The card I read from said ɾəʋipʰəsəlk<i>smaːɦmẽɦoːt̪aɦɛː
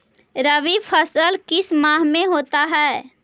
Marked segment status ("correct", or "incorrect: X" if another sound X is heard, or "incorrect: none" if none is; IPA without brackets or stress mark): incorrect: ɪ